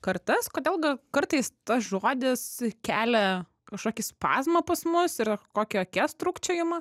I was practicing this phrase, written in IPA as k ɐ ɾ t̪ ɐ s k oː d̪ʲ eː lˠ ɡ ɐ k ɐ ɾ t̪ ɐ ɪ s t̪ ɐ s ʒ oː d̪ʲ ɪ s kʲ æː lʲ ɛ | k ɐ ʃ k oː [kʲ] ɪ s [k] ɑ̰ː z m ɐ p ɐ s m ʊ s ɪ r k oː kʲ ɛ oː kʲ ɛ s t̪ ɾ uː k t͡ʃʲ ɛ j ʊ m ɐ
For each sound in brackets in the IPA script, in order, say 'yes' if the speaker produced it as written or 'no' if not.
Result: yes, no

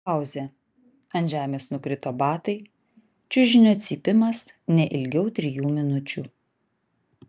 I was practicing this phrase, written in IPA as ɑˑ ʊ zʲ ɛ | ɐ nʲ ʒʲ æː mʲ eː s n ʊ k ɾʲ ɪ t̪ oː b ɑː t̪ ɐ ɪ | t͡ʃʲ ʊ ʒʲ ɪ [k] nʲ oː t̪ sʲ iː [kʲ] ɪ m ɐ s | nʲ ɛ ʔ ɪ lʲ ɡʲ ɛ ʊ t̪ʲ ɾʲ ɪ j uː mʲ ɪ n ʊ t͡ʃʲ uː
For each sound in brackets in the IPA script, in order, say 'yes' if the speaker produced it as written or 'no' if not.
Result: no, no

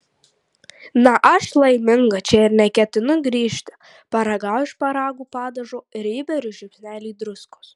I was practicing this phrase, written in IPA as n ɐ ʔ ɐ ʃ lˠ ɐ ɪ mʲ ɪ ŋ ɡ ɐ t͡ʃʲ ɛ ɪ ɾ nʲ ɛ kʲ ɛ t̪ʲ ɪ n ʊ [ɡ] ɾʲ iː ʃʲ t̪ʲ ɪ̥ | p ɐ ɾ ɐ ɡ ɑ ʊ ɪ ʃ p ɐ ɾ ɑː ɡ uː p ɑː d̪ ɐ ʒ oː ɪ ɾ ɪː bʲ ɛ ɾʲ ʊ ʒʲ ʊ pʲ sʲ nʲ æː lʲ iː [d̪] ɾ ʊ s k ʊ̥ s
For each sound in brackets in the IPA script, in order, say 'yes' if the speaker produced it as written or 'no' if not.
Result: yes, yes

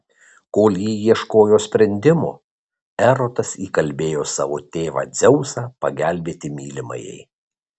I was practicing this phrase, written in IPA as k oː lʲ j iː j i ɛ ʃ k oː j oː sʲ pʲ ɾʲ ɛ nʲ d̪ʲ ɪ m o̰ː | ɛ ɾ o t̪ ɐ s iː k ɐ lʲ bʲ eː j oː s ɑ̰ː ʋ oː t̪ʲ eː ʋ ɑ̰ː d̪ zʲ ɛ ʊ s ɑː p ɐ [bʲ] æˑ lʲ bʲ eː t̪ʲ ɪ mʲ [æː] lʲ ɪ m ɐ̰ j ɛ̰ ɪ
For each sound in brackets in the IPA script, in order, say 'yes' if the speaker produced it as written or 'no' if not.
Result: no, no

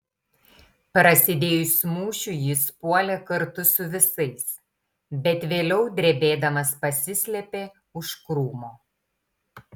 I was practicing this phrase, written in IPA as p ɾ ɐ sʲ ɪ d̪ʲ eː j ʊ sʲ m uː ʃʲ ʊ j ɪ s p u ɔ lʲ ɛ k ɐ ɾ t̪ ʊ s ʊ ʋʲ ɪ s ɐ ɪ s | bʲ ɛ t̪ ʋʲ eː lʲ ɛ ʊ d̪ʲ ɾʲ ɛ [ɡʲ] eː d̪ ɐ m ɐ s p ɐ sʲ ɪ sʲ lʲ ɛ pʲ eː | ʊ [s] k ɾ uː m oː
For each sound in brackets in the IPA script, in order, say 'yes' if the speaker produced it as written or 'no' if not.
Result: no, no

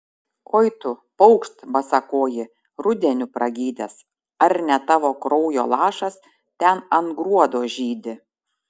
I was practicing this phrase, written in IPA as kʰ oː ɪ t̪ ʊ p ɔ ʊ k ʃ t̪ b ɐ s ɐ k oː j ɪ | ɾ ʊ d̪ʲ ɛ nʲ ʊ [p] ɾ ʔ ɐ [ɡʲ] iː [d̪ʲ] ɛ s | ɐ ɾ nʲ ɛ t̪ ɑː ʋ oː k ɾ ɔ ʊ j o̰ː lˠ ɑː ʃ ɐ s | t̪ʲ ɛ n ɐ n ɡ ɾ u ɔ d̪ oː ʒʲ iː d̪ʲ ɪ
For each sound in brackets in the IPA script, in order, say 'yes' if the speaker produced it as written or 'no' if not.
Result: yes, yes, yes

